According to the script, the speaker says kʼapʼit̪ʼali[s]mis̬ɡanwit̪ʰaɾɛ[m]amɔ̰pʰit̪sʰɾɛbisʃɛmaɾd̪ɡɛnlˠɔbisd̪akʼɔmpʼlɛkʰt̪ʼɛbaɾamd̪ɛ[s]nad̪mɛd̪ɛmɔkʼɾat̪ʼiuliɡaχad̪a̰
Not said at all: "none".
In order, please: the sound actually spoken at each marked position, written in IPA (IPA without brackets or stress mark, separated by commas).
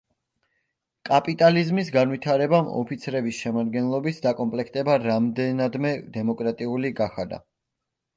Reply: z, b, none